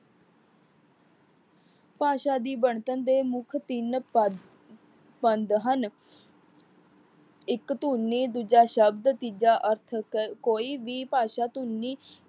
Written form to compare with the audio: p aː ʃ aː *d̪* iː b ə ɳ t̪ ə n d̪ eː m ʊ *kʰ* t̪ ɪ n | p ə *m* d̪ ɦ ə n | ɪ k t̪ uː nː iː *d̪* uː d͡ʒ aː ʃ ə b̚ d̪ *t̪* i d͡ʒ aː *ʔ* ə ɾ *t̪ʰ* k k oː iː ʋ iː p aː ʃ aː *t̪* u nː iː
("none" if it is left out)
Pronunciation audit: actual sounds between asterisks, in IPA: d̪, kʰ, n, d̪, t̪, ʔ, t̪ʰ, t̪

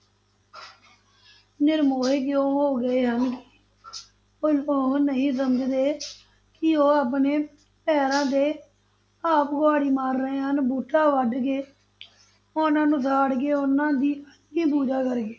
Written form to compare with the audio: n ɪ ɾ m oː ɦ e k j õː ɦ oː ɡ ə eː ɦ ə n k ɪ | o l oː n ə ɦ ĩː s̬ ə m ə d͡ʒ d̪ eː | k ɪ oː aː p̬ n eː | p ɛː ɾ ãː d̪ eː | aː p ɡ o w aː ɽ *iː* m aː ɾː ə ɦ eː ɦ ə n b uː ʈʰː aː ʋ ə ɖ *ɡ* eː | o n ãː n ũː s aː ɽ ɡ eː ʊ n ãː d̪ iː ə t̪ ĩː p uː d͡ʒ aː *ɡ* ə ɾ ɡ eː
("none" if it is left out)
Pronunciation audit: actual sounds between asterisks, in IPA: iː, ɡ, k

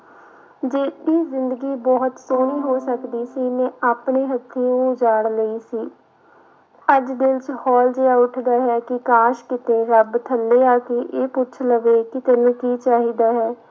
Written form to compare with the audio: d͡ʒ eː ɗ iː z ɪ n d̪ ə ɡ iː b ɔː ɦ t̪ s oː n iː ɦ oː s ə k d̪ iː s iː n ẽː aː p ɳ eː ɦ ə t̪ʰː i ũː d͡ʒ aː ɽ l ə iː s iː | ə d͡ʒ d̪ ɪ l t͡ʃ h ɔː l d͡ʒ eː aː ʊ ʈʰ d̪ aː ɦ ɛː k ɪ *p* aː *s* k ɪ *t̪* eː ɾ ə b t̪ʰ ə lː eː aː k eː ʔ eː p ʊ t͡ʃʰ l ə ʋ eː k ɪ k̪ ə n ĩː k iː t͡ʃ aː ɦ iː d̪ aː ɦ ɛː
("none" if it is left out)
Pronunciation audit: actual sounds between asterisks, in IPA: k, ʃ, t̪

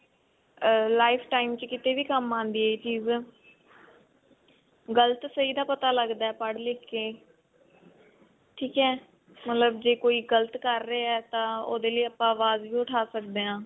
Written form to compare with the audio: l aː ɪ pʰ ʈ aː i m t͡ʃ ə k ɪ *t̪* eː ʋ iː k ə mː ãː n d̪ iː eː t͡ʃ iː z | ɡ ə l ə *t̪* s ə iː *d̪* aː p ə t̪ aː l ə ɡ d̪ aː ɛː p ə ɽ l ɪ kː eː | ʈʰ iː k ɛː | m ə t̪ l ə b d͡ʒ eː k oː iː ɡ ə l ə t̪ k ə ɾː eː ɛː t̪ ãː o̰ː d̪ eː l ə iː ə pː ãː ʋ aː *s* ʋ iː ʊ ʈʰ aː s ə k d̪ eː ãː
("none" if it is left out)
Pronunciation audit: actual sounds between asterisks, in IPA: t̪, t̪, d̪, z

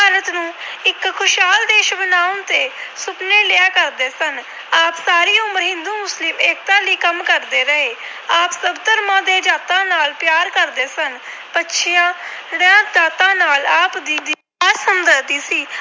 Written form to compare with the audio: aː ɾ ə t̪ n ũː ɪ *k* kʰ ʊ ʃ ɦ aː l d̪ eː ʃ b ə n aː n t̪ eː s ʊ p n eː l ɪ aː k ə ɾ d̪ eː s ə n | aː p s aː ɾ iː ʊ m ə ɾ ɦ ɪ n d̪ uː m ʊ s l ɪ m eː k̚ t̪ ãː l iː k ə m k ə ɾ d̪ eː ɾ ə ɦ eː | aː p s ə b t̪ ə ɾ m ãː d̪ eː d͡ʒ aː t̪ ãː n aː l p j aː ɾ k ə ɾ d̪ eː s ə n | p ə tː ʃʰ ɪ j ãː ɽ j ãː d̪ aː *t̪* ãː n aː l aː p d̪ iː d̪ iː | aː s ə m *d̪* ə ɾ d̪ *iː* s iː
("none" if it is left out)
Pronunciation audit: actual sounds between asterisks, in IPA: k, t̪, d̪, iː

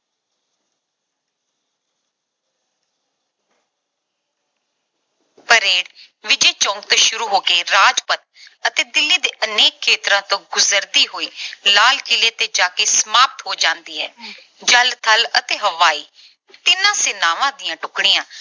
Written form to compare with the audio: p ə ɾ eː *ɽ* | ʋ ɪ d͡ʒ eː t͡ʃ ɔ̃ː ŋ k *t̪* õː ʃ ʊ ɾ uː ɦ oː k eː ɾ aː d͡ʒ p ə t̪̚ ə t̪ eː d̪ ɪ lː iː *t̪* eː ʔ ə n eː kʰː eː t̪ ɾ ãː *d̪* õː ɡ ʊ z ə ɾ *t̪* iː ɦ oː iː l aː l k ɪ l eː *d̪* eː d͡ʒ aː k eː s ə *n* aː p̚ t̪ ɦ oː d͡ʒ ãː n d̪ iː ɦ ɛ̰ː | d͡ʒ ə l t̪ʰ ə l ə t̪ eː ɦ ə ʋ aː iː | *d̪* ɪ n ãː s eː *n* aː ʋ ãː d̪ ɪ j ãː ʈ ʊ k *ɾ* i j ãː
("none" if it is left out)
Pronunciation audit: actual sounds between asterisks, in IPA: ɽ, t̪, d̪, t̪, d̪, t̪, m, t̪, n, ɽ

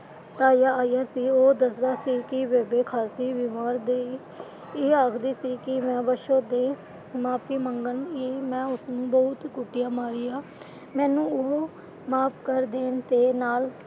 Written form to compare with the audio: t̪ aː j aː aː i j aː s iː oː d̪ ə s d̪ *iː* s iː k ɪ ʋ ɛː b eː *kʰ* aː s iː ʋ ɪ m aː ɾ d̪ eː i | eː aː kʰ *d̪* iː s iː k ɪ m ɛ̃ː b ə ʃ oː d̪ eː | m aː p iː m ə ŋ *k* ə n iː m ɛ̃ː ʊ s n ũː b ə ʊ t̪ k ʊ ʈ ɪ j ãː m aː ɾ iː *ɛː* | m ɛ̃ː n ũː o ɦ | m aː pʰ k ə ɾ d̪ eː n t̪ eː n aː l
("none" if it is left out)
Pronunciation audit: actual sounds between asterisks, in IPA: aː, kʰ, d̪, ɡ, aː

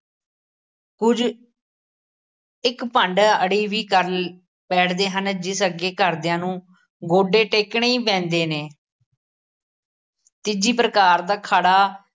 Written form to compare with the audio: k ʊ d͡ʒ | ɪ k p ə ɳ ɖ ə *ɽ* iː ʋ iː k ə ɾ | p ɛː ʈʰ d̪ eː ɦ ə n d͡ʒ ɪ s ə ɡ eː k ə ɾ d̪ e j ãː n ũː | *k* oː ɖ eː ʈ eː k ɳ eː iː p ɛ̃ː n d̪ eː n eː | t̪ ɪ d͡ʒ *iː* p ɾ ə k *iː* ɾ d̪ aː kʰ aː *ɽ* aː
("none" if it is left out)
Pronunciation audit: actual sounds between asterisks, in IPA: ɽ, ɡ, iː, aː, ɽ

